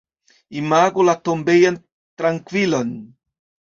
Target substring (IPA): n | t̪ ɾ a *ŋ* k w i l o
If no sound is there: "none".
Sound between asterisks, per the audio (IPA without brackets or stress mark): ŋ